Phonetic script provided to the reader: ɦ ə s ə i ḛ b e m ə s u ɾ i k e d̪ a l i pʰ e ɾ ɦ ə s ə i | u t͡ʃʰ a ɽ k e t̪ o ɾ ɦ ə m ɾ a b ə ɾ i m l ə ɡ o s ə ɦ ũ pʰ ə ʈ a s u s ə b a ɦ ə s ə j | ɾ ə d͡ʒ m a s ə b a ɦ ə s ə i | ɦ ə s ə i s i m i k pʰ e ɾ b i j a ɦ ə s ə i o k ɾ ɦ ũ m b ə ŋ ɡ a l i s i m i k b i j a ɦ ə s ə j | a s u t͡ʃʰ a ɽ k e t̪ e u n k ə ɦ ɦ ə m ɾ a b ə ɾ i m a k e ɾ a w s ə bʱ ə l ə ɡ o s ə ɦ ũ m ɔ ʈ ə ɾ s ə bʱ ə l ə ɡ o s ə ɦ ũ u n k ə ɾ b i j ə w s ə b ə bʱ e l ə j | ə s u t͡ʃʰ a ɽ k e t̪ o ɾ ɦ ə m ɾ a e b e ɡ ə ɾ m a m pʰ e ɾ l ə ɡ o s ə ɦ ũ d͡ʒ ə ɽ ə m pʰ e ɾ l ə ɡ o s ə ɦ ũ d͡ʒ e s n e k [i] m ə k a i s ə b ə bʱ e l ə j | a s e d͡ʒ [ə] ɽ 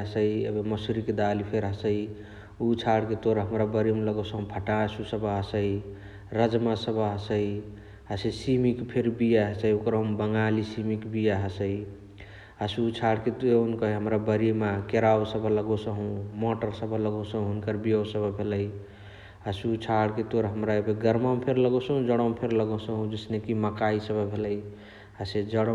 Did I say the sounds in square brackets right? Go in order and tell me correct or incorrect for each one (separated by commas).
correct, correct